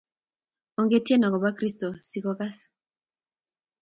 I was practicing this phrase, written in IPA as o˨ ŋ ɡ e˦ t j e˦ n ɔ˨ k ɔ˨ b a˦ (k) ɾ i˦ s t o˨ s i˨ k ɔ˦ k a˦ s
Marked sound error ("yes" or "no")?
no